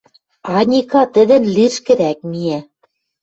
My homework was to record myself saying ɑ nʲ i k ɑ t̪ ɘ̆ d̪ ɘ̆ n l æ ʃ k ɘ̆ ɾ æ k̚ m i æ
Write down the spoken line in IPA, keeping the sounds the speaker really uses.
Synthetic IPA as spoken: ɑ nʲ i k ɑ t̪ ɘ̆ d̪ ɘ̆ n l i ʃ k ɘ̆ ɾ æ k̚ m i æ

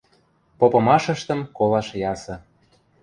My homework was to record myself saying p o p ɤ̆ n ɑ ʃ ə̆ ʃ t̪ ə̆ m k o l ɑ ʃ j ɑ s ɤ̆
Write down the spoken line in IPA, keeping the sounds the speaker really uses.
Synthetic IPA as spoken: p o p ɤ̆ m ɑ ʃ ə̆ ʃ t̪ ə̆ m k o l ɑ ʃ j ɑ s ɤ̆

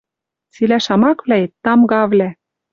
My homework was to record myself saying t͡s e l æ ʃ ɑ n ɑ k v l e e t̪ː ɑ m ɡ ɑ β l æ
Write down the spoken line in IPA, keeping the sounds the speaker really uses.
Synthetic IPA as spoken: t͡s i l æ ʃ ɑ m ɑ k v l æ e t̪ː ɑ m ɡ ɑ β l æ

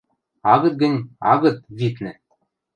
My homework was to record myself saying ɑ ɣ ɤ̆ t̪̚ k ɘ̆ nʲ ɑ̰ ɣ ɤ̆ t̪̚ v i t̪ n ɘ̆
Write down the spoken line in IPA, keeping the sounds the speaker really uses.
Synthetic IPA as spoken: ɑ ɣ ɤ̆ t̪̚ ɡ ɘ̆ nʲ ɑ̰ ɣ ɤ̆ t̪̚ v i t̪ n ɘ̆

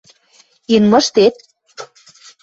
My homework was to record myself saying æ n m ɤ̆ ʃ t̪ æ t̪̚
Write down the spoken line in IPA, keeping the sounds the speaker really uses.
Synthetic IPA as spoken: i n m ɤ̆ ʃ t̪ e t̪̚

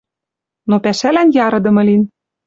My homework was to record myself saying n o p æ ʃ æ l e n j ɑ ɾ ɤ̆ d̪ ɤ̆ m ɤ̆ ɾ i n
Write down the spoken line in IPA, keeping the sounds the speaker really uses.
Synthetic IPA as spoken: n o p æ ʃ æ l æ n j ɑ ɾ ɤ̆ d̪ ɤ̆ m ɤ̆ l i n

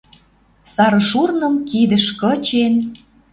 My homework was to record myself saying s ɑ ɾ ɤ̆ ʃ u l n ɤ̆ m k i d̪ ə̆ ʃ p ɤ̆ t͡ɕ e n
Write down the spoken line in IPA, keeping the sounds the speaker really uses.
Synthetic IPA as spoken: s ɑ ɾ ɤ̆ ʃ u r n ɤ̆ m k i d̪ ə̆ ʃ k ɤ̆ t͡ɕ e n

